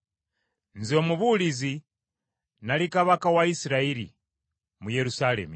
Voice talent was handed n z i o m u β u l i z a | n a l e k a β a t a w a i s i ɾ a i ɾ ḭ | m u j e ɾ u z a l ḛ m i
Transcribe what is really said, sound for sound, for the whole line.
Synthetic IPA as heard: n z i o m u β u l i z i | n a l i k a β a k a w a i s i ɾ a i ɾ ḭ | m u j e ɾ u s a l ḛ m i